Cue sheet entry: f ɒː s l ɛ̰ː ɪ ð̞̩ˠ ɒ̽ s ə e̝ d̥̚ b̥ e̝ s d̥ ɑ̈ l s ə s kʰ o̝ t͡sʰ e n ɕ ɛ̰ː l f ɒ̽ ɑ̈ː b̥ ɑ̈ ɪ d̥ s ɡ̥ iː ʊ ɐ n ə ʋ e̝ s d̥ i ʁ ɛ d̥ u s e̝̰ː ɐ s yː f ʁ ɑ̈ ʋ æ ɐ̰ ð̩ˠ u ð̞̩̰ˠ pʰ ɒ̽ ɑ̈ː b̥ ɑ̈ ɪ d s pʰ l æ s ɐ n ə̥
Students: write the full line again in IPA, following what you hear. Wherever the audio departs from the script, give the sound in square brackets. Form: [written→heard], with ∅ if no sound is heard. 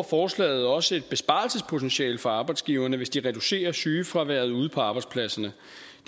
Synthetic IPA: f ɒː s l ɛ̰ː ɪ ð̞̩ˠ ɒ̽ s ə e̝ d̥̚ b̥ e̝ s [d̥→b̥] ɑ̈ l s ə s [kʰ→pʰ] o̝ t͡sʰ e n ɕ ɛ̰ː l f ɒ̽ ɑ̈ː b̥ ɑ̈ ɪ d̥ s ɡ̥ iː ʊ ɐ n ə ʋ e̝ s d̥ i ʁ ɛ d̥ u s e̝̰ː ɐ s yː f ʁ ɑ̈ ʋ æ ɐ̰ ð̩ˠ u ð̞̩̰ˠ pʰ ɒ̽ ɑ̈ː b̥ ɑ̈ ɪ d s pʰ l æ s ɐ n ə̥